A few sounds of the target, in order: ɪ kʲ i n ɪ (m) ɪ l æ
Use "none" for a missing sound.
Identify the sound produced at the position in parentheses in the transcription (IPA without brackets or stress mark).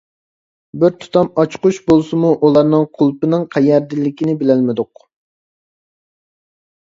b